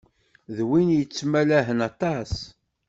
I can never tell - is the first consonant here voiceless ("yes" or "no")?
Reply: no